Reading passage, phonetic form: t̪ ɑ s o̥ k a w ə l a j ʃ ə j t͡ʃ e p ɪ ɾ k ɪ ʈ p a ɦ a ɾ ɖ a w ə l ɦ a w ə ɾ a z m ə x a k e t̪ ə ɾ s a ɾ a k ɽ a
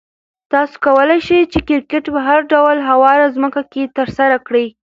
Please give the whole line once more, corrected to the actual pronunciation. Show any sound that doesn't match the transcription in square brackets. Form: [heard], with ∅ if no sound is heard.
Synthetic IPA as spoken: t̪ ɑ s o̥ k a w ə l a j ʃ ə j t͡ʃ e [k] ɪ ɾ k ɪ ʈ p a ɦ a ɾ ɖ a w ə l ɦ a w [ɑ] ɾ a z m ə [k] a k e t̪ ə ɾ s a ɾ a k ɽ [i]